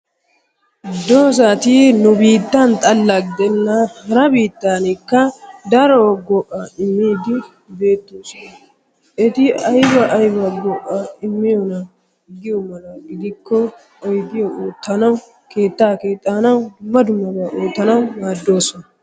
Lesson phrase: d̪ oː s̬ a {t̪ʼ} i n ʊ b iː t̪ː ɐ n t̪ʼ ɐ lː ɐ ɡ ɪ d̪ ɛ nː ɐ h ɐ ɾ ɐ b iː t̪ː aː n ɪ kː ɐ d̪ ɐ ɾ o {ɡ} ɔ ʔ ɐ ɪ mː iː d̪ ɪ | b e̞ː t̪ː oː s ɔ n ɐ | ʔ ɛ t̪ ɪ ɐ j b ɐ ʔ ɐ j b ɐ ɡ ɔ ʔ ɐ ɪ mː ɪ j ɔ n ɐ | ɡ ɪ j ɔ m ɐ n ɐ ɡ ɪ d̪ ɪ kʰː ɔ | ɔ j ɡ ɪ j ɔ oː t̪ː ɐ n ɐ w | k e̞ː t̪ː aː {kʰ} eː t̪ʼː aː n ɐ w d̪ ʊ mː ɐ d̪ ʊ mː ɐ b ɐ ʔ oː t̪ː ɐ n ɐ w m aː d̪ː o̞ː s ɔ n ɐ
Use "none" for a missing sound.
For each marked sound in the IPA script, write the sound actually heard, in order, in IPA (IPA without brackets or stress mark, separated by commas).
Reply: t̪, ɡ, k